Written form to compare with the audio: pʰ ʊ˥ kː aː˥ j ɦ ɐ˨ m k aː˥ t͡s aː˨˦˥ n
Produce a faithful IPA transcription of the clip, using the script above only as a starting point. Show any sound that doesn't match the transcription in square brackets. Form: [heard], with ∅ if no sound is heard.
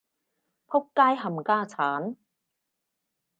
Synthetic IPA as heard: pʰ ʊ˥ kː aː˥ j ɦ ɐ˨ m k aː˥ [t͡sʰ] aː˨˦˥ n